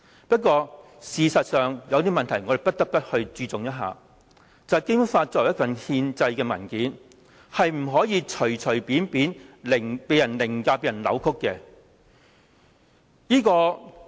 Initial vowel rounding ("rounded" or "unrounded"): unrounded